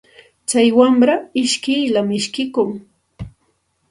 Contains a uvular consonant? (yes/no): no